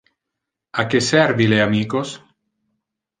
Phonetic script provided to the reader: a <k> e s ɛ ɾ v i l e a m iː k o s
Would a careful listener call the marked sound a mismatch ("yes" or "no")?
no